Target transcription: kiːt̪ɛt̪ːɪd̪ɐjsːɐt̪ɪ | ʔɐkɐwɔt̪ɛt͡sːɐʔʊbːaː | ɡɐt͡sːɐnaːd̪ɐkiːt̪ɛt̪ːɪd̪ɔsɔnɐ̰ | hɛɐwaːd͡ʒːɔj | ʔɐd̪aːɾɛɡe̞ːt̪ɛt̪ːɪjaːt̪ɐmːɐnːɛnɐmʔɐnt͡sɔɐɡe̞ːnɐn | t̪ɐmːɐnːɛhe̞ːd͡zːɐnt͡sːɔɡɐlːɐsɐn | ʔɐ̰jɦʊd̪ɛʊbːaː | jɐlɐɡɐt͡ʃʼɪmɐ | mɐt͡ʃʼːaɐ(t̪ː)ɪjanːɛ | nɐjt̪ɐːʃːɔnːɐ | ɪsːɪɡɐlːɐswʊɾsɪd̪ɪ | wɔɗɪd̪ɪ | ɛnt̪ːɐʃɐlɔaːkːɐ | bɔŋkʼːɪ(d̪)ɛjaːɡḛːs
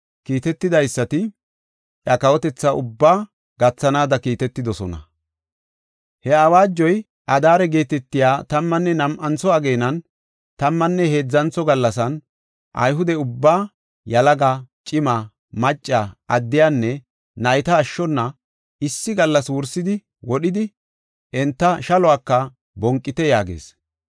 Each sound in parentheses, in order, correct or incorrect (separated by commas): incorrect, incorrect